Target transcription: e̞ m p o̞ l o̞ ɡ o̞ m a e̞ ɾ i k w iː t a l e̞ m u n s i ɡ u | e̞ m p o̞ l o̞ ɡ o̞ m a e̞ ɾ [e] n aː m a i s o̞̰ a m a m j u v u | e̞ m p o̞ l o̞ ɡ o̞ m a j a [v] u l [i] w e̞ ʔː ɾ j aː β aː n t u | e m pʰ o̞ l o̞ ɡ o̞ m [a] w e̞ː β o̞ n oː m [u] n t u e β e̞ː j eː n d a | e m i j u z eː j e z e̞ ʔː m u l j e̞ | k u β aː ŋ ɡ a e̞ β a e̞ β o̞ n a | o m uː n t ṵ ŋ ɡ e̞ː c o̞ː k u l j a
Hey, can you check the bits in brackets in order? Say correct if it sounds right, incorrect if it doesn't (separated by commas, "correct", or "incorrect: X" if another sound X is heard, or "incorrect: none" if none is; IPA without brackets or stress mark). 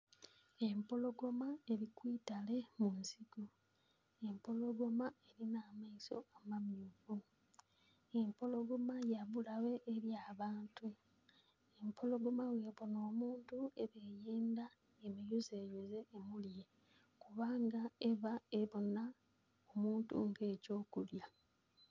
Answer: incorrect: i, incorrect: β, incorrect: a, correct, incorrect: uː